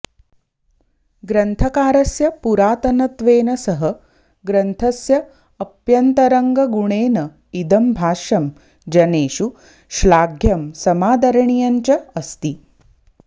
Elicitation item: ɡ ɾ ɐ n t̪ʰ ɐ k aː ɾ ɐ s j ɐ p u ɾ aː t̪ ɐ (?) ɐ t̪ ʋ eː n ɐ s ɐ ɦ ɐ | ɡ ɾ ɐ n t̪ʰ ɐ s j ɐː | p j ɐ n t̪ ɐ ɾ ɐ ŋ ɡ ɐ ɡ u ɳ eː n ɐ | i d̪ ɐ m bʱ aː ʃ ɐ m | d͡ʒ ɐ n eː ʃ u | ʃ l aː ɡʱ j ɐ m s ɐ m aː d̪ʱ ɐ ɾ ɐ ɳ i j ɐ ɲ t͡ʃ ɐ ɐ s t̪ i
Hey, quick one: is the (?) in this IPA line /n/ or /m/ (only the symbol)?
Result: n